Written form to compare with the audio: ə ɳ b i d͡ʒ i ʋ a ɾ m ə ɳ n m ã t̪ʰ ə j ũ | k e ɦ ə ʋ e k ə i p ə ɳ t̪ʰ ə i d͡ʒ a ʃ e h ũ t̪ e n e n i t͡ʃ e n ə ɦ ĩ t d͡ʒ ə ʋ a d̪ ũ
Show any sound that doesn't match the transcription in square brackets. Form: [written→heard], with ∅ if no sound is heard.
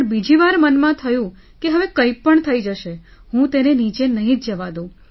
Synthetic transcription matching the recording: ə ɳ b i d͡ʒ i ʋ a ɾ m ə [ɳ→∅] n m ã t̪ʰ ə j ũ | k e ɦ ə ʋ e k ə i p ə ɳ t̪ʰ ə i d͡ʒ [a→ə] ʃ e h ũ t̪ e n e n i t͡ʃ e n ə ɦ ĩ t d͡ʒ ə ʋ a d̪ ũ